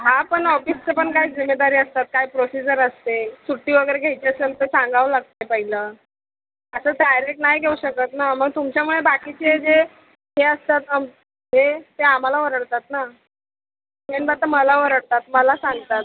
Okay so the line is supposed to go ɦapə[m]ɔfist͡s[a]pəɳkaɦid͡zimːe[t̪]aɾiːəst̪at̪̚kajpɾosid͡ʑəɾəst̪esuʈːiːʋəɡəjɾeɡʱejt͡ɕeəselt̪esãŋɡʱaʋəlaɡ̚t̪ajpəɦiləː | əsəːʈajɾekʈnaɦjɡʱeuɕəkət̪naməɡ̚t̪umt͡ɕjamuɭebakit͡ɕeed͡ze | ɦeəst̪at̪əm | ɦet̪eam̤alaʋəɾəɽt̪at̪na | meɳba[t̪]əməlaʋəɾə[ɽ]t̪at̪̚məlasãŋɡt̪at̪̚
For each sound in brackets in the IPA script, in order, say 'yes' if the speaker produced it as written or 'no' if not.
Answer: no, no, no, yes, yes

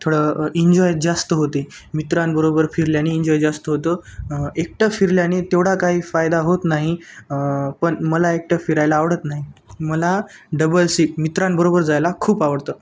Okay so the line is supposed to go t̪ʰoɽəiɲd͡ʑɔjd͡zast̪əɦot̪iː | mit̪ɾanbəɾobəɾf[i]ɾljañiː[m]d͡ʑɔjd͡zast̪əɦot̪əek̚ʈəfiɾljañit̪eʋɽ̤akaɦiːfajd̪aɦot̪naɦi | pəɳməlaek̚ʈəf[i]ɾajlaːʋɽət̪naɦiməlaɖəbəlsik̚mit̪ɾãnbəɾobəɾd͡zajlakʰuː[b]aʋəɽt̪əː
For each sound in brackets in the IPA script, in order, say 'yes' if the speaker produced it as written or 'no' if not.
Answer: yes, no, yes, no

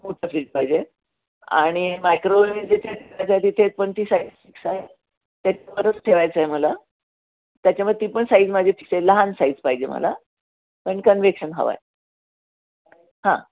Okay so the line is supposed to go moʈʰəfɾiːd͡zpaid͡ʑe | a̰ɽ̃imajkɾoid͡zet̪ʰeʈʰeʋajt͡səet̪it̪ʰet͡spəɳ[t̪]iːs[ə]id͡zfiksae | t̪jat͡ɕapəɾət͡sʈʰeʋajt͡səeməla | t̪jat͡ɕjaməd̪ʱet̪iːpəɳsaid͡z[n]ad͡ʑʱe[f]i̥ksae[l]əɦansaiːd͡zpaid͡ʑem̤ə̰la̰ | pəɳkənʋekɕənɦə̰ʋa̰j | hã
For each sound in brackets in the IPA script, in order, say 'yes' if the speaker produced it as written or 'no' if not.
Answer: yes, no, no, yes, yes

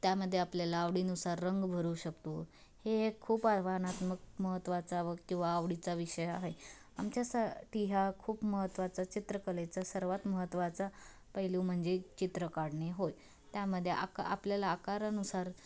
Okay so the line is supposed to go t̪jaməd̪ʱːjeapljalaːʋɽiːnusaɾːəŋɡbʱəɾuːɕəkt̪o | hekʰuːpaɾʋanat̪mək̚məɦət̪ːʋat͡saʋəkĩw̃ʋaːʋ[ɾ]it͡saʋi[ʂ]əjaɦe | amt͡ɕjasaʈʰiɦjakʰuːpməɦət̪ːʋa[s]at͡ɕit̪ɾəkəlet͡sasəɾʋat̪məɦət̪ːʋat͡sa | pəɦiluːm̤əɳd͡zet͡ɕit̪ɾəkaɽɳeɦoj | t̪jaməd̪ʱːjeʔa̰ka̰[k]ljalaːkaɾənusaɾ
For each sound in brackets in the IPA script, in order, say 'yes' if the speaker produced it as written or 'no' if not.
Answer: no, no, no, no

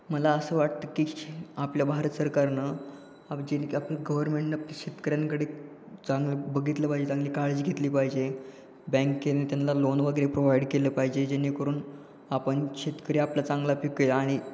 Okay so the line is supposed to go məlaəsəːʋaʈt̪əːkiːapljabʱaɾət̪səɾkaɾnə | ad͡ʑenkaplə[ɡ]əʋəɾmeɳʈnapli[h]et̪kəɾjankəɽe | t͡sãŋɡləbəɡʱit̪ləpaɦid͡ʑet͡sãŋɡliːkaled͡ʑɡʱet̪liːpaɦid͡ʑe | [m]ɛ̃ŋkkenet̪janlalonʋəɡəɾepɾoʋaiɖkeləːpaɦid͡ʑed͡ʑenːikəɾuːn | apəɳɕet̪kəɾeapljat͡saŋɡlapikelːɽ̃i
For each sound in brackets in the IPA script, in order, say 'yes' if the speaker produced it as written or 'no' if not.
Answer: yes, no, no

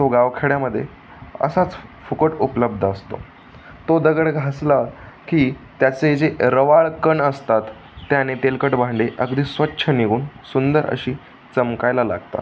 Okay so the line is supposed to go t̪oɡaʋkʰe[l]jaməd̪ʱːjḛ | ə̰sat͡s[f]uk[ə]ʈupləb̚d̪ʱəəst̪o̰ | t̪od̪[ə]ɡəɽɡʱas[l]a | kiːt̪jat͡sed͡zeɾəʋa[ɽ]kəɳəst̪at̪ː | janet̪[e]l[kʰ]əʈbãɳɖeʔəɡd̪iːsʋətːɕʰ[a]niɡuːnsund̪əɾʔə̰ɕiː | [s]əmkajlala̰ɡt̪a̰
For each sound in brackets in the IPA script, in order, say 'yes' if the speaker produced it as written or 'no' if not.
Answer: no, yes, yes, yes, yes, no, yes, no, no, no

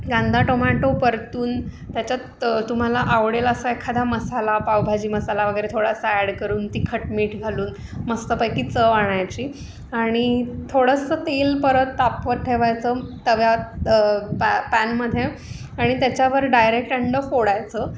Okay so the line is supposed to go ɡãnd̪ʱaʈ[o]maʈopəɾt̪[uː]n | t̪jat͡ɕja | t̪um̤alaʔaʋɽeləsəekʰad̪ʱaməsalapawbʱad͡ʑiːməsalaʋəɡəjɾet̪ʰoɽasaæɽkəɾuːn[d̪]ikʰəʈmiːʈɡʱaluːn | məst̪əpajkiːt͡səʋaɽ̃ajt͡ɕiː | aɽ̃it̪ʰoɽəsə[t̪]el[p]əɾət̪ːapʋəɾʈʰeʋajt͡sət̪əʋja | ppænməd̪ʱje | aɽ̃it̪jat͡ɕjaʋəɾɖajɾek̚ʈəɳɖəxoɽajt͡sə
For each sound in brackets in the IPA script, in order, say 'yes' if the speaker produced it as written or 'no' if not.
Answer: yes, yes, no, yes, yes

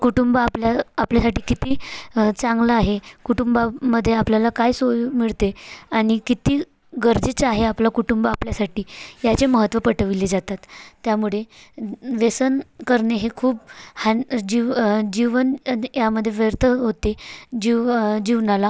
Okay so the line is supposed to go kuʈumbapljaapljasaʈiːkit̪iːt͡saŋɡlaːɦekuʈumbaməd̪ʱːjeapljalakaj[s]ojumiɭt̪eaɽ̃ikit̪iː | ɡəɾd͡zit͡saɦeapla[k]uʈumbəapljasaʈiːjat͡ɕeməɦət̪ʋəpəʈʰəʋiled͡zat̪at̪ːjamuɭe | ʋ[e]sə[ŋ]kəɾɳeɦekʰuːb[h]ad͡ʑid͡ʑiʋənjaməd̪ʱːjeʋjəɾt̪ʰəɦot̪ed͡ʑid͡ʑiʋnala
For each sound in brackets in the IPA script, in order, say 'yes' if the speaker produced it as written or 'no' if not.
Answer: yes, yes, yes, no, yes

